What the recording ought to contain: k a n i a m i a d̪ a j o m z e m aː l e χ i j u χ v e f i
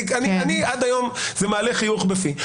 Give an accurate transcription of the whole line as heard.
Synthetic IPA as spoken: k a n i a n i a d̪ a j o m z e m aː l e χ i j u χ b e f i